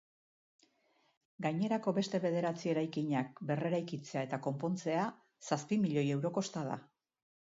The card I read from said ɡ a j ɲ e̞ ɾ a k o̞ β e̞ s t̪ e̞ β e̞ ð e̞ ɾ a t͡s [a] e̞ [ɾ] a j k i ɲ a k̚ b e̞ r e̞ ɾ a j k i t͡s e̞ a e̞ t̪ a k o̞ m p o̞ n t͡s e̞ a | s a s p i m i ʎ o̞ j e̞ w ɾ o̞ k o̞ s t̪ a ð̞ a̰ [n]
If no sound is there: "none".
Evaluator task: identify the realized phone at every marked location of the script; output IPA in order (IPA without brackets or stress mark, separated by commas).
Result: i, ɾ, none